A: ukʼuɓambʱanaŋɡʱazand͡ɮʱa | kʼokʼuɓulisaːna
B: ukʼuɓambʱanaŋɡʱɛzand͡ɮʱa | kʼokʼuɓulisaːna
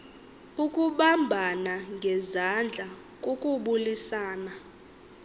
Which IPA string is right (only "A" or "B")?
B